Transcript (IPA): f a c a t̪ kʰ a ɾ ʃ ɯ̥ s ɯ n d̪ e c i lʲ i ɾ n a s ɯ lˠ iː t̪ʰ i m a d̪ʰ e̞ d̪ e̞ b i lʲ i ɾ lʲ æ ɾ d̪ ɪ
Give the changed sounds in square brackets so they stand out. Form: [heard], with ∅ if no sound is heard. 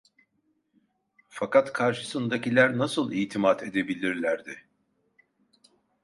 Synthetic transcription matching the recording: f a [k] a t̪ kʰ a ɾ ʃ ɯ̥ s ɯ n d̪ [a] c i lʲ [æ] ɾ n a s ɯ lˠ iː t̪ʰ i m a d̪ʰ e̞ d̪ e̞ b i lʲ i ɾ lʲ æ ɾ d̪ ɪ